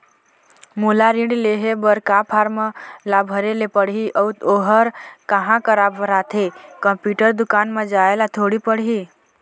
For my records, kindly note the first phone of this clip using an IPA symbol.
m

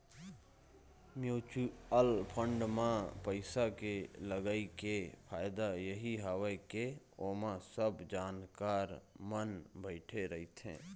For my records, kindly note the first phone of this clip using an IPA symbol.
m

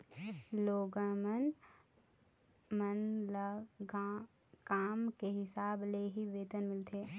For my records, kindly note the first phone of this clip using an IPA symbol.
l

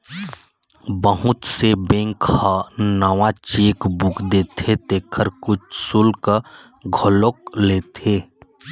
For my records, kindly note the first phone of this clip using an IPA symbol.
b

